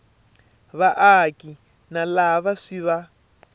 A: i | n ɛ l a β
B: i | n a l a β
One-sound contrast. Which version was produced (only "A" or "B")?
B